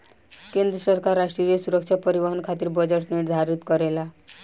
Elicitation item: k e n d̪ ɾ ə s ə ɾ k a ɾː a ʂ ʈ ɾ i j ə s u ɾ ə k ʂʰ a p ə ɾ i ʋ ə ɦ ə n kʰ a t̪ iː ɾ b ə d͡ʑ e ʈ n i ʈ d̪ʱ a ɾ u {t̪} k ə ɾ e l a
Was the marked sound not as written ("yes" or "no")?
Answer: no